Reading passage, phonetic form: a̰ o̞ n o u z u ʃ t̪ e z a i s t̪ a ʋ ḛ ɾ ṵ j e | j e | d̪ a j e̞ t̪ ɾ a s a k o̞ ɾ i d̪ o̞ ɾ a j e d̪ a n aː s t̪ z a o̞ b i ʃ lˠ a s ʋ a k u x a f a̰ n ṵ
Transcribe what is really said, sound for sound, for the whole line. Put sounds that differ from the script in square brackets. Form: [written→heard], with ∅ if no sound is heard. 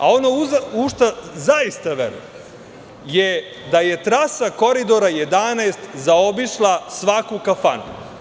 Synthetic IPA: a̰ o̞ n o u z u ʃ t̪ [e→a] z a i s t̪ a ʋ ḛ ɾ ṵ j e | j e | d̪ a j e̞ t̪ ɾ a s a k o̞ ɾ i d̪ o̞ ɾ a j e d̪ a n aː s t̪ z a o̞ b i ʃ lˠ a s ʋ a k u [x→k] a f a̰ n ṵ